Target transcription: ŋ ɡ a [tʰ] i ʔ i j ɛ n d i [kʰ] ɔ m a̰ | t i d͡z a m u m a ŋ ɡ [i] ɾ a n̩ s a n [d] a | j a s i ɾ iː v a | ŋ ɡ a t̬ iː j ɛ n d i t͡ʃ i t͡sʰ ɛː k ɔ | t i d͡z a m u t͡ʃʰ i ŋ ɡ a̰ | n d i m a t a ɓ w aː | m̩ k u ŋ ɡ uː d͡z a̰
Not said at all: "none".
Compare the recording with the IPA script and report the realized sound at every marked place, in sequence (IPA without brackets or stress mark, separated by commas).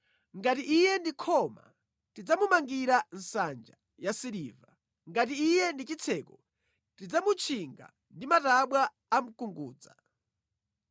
t, kʰ, i, d͡ʒ